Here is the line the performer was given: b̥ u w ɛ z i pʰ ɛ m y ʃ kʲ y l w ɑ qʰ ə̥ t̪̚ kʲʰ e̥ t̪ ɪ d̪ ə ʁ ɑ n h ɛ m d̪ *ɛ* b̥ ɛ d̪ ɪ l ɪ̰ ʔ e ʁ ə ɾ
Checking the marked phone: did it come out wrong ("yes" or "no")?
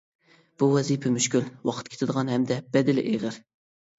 no